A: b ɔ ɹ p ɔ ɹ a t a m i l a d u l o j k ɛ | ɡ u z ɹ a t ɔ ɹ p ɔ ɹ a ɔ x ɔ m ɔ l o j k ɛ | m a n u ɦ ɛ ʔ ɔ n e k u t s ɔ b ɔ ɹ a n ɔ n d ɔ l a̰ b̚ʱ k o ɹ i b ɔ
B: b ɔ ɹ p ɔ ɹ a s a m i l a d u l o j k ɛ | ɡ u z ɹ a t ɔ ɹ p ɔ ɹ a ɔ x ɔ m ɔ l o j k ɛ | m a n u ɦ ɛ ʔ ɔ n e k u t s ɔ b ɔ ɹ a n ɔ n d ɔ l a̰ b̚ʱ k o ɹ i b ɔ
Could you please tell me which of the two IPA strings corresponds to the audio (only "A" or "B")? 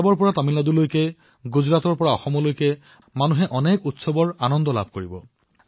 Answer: A